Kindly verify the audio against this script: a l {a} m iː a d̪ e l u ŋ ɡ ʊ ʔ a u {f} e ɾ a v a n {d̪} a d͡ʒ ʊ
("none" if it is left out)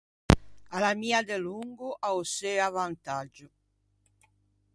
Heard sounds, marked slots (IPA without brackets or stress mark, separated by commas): a, s, t̪